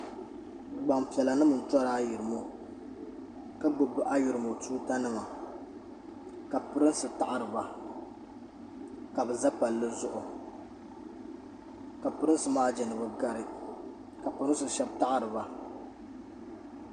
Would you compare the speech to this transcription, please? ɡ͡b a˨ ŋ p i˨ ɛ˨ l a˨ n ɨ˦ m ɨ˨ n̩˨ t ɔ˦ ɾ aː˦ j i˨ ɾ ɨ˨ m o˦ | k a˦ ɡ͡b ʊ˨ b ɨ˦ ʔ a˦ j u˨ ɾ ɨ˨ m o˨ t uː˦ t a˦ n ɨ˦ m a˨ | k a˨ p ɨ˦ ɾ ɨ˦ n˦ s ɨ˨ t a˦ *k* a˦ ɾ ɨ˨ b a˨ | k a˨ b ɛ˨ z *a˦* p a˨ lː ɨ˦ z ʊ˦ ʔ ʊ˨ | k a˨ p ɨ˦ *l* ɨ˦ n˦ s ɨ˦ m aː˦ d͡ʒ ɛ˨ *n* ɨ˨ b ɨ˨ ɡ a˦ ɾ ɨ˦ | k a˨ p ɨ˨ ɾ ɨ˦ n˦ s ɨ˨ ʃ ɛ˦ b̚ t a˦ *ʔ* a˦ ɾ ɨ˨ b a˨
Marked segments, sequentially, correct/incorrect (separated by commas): incorrect, correct, incorrect, correct, correct